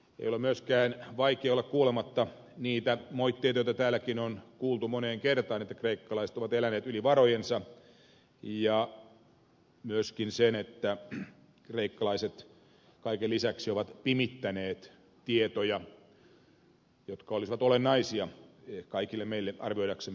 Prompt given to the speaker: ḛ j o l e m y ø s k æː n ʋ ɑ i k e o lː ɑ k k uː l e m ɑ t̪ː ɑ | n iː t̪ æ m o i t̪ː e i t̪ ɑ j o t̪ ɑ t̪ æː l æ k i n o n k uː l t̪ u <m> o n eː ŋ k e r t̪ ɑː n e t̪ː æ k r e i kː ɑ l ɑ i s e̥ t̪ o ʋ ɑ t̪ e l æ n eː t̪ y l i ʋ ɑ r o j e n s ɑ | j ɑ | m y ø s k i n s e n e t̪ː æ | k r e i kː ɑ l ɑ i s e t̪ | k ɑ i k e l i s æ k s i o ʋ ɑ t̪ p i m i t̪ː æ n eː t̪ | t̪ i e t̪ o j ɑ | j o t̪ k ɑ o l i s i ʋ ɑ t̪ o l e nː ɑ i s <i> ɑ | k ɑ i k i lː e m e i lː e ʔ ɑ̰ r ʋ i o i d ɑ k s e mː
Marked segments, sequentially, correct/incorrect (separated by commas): correct, correct